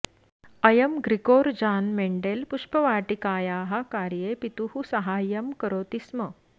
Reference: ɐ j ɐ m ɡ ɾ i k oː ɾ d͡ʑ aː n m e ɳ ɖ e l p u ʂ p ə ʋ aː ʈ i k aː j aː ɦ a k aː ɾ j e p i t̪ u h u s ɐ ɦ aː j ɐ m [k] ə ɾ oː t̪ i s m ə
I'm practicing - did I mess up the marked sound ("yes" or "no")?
no